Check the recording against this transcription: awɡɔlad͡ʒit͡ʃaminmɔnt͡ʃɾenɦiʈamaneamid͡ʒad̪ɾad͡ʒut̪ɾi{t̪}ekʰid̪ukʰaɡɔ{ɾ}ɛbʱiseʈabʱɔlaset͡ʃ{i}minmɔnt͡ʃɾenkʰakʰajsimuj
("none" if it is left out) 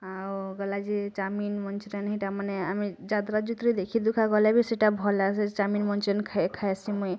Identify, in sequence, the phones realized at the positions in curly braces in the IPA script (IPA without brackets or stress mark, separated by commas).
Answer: d̪, l, a